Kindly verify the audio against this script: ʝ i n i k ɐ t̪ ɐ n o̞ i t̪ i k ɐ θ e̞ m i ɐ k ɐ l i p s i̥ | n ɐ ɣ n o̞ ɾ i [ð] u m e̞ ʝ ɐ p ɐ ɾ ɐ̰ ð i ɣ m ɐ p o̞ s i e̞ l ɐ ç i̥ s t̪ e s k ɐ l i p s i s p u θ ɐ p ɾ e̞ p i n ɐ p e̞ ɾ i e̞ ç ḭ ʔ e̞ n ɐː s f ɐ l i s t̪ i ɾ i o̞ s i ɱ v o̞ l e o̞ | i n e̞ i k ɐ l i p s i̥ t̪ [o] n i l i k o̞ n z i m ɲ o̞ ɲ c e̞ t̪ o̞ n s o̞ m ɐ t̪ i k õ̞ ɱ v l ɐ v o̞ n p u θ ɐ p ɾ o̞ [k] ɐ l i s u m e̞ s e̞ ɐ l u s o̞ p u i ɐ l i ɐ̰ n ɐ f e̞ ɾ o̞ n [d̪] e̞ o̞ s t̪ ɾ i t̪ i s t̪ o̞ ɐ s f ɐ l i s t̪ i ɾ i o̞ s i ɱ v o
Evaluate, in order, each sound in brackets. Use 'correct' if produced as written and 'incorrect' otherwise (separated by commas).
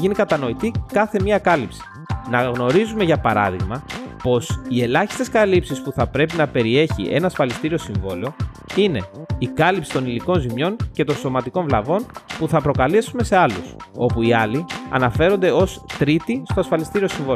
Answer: incorrect, correct, correct, correct